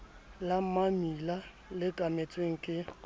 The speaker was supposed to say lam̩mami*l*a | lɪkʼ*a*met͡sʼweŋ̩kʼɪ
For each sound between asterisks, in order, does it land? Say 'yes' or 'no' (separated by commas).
yes, yes